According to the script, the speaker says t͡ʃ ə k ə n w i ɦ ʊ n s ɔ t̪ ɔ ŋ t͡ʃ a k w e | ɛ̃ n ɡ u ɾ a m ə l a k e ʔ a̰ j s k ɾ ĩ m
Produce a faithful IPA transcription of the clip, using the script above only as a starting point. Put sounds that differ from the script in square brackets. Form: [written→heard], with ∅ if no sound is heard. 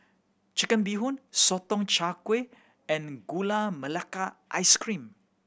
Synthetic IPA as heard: t͡ʃ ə k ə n [w→b] i ɦ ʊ n s ɔ t̪ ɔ ŋ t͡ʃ a k w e | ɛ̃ n ɡ u [ɾ→l] a m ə l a k [e→a] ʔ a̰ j s k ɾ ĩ m